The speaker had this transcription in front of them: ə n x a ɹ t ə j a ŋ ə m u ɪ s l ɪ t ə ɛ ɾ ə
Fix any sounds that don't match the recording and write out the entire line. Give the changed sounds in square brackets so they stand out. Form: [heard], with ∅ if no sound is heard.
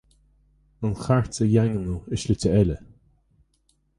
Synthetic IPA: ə n x a ɹ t ə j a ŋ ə [n] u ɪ [ʃ] l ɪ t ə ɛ [l] ə